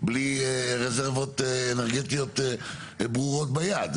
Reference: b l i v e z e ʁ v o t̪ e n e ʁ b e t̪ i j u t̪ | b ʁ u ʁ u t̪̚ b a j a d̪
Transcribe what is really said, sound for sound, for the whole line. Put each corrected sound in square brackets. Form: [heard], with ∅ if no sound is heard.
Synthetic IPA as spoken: b l i [ʁ] e z e ʁ v o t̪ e n e ʁ [ɡ] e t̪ i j [o] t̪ | b ʁ u ʁ [o] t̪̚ b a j a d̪